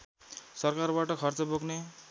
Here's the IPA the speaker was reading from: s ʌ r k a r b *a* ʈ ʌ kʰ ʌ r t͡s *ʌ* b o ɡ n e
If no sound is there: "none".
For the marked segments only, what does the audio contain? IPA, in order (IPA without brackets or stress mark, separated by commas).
a, ʌ